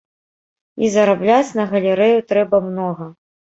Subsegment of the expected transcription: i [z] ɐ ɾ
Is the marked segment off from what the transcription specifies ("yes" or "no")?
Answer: no